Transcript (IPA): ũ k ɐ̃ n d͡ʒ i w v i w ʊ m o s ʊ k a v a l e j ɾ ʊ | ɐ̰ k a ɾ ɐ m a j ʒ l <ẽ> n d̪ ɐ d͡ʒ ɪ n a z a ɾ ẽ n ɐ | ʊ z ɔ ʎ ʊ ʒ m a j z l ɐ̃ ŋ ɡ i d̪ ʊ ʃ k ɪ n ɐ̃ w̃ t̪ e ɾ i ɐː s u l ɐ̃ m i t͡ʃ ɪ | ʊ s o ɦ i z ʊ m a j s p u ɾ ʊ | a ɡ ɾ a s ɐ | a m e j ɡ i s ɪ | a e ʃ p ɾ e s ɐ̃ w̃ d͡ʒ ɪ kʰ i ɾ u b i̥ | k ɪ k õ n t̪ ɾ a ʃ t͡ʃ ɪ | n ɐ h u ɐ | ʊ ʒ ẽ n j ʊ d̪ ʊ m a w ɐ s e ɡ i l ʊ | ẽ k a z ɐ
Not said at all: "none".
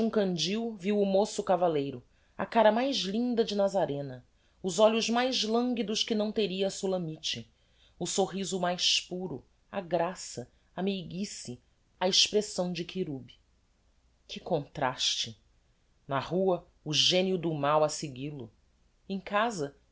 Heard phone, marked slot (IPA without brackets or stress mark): ĩ